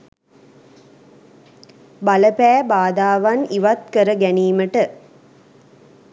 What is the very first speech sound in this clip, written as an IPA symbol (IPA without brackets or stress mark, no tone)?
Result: b